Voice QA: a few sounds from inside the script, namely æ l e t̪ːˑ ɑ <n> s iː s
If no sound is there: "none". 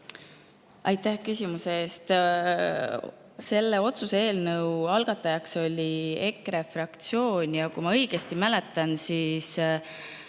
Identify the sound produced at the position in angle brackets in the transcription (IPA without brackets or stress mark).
n